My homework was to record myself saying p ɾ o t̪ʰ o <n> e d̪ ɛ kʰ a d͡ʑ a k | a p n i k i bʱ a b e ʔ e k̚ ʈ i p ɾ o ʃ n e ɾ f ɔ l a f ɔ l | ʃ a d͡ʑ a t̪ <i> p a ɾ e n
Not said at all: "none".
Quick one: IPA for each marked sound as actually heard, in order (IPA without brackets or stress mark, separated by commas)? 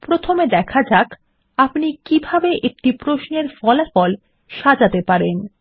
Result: m, e